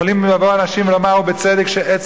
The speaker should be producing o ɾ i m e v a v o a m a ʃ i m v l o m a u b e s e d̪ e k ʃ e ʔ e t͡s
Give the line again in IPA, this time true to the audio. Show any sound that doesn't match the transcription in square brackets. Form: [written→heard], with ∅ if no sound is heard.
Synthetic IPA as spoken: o [ɾ→l] i m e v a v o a [m→n] a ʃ i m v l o m a u b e [s→t͡s] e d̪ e k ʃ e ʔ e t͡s